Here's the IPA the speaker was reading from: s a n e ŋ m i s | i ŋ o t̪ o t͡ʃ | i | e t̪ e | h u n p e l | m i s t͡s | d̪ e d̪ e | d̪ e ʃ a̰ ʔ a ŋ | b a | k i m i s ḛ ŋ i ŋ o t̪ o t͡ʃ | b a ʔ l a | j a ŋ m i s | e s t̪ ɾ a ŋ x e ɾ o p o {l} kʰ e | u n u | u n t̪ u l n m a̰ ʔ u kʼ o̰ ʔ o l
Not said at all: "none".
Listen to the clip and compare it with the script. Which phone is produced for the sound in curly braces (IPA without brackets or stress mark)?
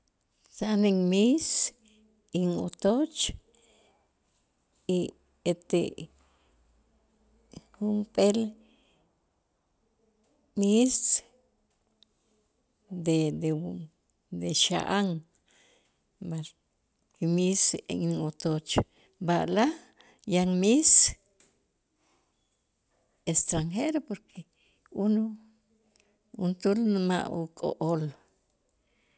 ɾ